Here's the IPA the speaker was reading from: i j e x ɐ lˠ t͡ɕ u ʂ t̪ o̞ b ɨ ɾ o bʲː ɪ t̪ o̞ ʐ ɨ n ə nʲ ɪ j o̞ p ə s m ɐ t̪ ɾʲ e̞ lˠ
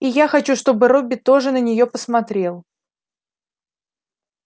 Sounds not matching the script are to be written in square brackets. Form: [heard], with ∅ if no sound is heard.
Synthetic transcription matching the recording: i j [a] x ɐ [∅] t͡ɕ u ʂ t̪ o̞ b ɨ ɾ o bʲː ɪ t̪ o̞ ʐ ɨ n ə nʲ ɪ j o̞ p ə s m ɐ t̪ ɾʲ e̞ lˠ

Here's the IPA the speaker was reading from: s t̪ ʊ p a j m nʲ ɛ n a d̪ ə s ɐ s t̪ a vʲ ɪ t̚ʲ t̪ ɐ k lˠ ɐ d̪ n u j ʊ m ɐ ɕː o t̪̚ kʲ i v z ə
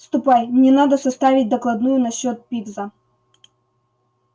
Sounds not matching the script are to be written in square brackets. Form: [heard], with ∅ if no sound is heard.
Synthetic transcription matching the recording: s t̪ ʊ p a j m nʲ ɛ n a d̪ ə s ɐ s t̪ a vʲ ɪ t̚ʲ [d̪] ɐ k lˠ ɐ d̪ n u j ʊ [n] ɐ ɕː o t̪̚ [pʲ] i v z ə

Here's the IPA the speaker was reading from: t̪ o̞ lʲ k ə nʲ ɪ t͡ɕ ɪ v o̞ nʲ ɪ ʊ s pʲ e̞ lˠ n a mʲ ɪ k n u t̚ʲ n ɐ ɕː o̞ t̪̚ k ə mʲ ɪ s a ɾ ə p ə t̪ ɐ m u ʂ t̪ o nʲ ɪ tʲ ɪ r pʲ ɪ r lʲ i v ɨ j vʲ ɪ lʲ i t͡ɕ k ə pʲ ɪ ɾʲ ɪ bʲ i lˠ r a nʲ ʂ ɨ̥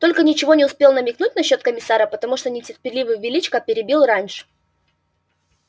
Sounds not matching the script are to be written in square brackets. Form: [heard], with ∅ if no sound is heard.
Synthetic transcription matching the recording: t̪ o̞ lʲ k ə nʲ ɪ t͡ɕ ɪ v o̞ nʲ ɪ ʊ s pʲ e̞ lˠ n [ə] mʲ ɪ k n u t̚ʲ n ɐ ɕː o̞ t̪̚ k ə mʲ ɪ s a ɾ ə p ə t̪ ɐ m u ʂ t̪ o nʲ ɪ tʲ ɪ r pʲ ɪ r lʲ i v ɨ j vʲ ɪ lʲ i t͡ɕ k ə pʲ ɪ ɾʲ ɪ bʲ i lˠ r a nʲ ʂ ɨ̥

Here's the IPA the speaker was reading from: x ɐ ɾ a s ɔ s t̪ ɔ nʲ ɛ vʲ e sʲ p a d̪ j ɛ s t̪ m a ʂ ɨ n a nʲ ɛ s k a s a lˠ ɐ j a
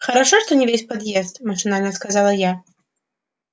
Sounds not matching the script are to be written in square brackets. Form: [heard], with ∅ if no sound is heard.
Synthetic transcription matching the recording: x ɐ ɾ a [ʂ] ɔ [ʂ] t̪ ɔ nʲ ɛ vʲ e sʲ p a d̪ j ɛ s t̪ m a ʂ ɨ n a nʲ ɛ s k a [z] a lˠ ɐ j a

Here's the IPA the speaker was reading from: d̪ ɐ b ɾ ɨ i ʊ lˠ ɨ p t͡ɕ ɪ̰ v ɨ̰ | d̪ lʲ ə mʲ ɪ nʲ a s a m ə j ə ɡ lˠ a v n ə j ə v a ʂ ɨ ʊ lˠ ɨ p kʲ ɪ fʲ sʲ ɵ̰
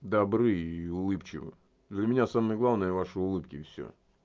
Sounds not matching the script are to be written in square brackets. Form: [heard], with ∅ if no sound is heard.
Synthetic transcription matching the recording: d̪ ɐ b ɾ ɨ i ʊ lˠ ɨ p t͡ɕ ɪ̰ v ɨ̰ | d̪ lʲ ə mʲ ɪ nʲ a s a m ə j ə ɡ lˠ a v n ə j ə v a ʂ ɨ ʊ lˠ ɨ p kʲ ɪ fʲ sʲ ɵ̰

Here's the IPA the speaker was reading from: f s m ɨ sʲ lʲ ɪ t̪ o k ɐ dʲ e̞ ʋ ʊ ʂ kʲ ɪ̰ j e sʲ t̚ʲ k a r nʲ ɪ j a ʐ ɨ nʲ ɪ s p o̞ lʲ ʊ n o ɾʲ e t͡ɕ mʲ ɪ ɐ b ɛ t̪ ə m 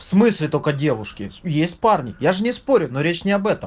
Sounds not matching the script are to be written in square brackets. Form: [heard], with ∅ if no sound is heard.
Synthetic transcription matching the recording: f s m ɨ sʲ lʲ ɪ t̪ o k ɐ dʲ e̞ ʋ ʊ ʂ kʲ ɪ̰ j e sʲ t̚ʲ [p] a r nʲ ɪ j a ʐ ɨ nʲ ɪ s p o̞ [ɾʲ] ʊ n o ɾʲ e t͡ɕ [nʲ] ɪ ɐ b ɛ t̪ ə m

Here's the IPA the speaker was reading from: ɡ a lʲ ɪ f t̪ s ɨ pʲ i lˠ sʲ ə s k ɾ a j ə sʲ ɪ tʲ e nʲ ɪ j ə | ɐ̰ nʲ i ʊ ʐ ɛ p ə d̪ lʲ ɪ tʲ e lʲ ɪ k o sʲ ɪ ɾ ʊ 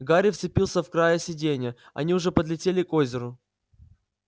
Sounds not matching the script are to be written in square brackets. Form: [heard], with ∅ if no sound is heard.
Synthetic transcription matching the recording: ɡ a [ɾʲ] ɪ f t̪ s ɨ pʲ i lˠ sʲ ə [f] k ɾ a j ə sʲ ɪ [dʲ] e nʲ ɪ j ə | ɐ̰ nʲ i ʊ ʐ ɛ p ə d̪ lʲ ɪ tʲ e lʲ ɪ k o [zʲ] ɪ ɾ ʊ

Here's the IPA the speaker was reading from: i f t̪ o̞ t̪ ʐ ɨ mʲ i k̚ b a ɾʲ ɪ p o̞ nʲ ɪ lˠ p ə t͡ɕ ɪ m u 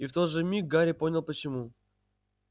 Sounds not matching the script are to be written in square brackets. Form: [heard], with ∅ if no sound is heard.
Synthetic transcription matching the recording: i f t̪ o̞ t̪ ʐ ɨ mʲ i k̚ [ɡ] a ɾʲ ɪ p o̞ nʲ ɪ lˠ p ə t͡ɕ ɪ m u

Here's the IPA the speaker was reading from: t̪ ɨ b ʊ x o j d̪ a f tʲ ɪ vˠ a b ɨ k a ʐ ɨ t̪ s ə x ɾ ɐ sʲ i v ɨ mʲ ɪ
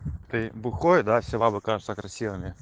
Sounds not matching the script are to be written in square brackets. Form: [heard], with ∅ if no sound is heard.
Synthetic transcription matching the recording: t̪ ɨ b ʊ x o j d̪ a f [sʲ] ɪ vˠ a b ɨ k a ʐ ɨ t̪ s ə [k] ɾ ɐ sʲ i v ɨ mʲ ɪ

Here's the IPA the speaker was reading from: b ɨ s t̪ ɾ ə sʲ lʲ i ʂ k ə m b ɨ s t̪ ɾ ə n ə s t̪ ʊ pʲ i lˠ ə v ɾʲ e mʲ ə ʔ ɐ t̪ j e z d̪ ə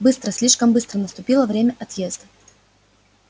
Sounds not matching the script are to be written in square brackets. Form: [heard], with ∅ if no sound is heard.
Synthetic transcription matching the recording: b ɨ s t̪ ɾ ə sʲ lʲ i ʂ k ə m b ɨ s t̪ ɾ ə n ə s t̪ ʊ pʲ i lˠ ə v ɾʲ e mʲ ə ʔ ɐ t̪ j e z d̪ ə

